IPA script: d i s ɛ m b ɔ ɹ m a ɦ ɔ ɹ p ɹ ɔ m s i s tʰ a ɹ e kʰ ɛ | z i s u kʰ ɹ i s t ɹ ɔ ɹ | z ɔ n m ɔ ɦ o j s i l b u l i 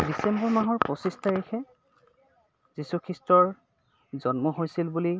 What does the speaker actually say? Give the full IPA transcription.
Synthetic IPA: d i s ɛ m b ɔ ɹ m a ɦ ɔ ɹ p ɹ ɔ s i s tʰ a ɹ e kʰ ɛ | z i s u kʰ ɹ i s t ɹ ɔ ɹ | z ɔ n m ɔ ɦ o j s i l b u l i